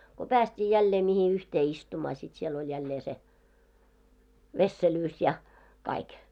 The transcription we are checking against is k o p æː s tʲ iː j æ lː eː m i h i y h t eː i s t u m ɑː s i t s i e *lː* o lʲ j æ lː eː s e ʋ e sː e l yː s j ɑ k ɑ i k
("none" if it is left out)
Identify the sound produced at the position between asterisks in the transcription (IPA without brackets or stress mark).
l